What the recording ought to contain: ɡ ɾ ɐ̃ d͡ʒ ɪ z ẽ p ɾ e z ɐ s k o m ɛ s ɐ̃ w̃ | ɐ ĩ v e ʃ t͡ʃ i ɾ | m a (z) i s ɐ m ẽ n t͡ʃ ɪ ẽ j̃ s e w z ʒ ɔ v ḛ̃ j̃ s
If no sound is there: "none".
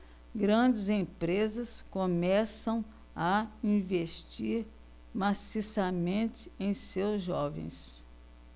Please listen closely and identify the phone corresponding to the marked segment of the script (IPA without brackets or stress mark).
s